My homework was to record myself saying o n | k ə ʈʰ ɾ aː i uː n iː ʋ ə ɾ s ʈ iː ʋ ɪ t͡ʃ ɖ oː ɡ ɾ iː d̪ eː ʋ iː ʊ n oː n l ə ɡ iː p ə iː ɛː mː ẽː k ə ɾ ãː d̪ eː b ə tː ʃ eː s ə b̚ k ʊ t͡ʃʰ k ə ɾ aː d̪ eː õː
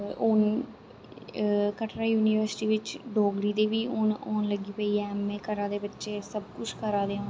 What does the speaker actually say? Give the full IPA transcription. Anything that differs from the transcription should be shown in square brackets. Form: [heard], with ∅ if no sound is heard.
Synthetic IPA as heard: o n | k ə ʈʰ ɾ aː [j] uː n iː ʋ ə ɾ s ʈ iː ʋ ɪ t͡ʃ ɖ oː ɡ ɾ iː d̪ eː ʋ iː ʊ n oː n l ə ɡ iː p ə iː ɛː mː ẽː k ə ɾ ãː d̪ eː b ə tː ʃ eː s ə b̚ k ʊ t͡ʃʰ k ə ɾ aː d̪ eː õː

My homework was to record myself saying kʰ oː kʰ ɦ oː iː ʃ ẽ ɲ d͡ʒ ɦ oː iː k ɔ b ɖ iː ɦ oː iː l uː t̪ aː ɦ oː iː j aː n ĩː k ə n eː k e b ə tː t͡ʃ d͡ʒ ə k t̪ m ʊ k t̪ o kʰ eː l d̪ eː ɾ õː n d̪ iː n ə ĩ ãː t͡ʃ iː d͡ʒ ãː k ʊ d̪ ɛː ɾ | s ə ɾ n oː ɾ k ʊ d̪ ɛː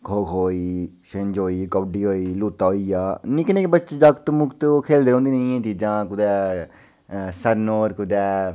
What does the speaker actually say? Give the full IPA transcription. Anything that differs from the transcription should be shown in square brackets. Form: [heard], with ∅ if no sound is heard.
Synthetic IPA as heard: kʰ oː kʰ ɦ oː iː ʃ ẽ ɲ d͡ʒ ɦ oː iː k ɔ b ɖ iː ɦ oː iː l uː t̪ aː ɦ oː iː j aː n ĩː k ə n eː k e b ə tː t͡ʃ d͡ʒ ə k t̪ m ʊ k t̪ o kʰ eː l d̪ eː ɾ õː n d̪ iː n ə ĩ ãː t͡ʃ iː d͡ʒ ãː k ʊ d̪ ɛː [∅] | s ə ɾ n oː ɾ k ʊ d̪ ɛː

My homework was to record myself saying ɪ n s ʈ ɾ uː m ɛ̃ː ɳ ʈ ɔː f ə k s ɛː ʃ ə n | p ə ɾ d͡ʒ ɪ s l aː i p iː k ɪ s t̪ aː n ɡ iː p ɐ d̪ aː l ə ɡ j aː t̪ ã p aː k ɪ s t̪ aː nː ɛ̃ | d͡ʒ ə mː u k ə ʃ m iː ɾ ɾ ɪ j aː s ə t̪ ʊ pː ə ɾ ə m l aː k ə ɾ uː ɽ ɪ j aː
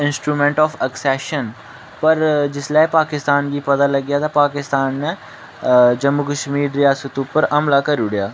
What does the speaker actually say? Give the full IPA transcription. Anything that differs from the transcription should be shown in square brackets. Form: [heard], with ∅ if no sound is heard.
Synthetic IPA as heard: ɪ n s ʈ ɾ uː m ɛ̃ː ɳ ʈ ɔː f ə k s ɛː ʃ ə n | p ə ɾ d͡ʒ ɪ s l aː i p [aː] k ɪ s t̪ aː n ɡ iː p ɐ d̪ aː l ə ɡ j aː t̪ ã p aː k ɪ s t̪ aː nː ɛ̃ | d͡ʒ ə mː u k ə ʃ m iː ɾ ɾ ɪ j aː s ə t̪ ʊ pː ə ɾ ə m l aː k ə ɾ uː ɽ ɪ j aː

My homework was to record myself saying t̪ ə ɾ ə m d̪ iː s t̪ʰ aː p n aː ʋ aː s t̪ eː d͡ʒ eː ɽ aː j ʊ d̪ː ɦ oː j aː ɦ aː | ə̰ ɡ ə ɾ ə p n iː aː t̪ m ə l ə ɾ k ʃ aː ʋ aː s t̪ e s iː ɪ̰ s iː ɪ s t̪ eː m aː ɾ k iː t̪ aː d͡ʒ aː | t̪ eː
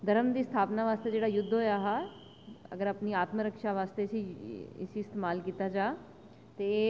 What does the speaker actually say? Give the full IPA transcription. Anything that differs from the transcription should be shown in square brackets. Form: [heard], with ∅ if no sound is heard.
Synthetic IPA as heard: [d̪] ə ɾ ə m d̪ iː s t̪ʰ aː p n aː ʋ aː s t̪ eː d͡ʒ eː ɽ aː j ʊ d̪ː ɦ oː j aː ɦ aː | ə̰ ɡ ə ɾ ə p n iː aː t̪ m ə [ɾ] ə [∅] k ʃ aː ʋ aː s t̪ e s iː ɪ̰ s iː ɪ s t̪ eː m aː [l] k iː t̪ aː d͡ʒ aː | t̪ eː

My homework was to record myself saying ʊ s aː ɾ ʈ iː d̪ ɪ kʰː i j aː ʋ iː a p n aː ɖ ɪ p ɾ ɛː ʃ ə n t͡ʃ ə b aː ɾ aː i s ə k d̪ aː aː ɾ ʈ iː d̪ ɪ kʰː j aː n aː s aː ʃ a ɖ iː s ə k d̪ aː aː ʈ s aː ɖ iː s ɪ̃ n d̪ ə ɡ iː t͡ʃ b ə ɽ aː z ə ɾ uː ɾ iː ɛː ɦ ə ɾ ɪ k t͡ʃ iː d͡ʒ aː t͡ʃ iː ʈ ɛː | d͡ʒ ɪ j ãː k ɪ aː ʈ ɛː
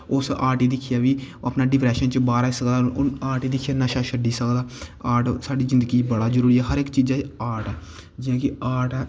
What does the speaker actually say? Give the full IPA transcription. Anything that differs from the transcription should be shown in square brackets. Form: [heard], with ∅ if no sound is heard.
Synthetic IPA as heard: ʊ s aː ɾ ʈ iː d̪ ɪ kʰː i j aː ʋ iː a p n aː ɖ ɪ p ɾ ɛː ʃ ə n t͡ʃ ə b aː ɾ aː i s ə k d̪ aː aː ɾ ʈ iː d̪ ɪ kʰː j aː n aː [ʃ] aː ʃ [ə] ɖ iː s ə k d̪ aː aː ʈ s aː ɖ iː [z] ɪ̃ n d̪ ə ɡ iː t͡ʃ b ə ɽ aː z ə ɾ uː ɾ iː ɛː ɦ ə ɾ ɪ k t͡ʃ iː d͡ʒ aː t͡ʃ [aː] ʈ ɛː | d͡ʒ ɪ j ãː k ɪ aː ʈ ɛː

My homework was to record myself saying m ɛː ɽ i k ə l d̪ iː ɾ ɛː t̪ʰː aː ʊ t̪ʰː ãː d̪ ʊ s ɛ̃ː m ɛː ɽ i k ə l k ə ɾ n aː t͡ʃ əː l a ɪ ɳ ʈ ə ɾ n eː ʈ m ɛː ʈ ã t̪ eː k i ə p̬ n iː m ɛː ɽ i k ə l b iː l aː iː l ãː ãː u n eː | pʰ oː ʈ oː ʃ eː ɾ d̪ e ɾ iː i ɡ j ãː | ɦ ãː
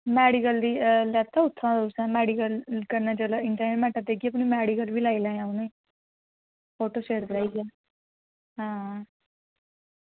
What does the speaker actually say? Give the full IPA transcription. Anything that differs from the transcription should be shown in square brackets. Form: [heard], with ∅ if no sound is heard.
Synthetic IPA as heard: m ɛː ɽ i k ə l d̪ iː [l] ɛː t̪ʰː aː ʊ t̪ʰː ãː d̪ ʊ s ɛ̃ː m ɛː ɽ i k ə l k ə ɾ n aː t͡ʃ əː l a ɪ ɳ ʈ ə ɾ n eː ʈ m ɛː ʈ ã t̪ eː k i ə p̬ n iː m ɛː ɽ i k ə l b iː l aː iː l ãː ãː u n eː | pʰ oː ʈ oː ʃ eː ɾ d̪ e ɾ [aː] i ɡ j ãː | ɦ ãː

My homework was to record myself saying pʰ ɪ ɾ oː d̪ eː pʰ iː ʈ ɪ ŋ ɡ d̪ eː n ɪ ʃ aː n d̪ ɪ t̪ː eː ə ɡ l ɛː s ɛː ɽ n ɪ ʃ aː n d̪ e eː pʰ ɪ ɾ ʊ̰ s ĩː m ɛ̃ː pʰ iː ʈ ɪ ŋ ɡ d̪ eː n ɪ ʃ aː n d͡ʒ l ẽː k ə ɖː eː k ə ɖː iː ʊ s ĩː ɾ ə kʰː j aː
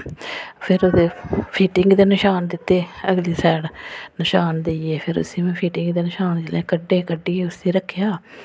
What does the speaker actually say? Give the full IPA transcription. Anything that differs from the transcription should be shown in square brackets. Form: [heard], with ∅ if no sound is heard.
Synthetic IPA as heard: pʰ ɪ ɾ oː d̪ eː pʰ iː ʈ ɪ ŋ ɡ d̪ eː n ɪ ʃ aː n d̪ ɪ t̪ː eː ə ɡ l [iː] s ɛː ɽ n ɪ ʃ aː n d̪ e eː pʰ ɪ ɾ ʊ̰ s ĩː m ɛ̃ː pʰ iː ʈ ɪ ŋ ɡ d̪ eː n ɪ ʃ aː n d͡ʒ l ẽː k ə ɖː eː k ə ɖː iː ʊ s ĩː ɾ ə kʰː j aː

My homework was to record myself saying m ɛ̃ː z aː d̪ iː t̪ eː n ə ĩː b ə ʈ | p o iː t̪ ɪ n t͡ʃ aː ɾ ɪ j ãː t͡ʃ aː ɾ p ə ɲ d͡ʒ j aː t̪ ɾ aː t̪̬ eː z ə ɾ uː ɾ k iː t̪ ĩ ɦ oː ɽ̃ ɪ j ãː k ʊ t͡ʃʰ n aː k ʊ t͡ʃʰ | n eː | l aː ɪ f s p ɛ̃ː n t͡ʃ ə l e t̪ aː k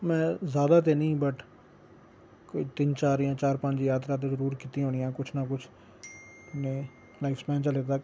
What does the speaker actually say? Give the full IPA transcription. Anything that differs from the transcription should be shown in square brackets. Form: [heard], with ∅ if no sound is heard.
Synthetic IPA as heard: m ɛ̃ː z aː d̪ [aː] t̪ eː n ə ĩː b ə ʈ | [k] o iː t̪ ɪ n t͡ʃ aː ɾ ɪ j ãː t͡ʃ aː ɾ p ə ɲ d͡ʒ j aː t̪ ɾ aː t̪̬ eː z ə ɾ uː ɾ k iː t̪ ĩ ɦ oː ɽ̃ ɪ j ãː k ʊ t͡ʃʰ n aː k ʊ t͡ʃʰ | n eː | l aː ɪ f s p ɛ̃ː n t͡ʃ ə l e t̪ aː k

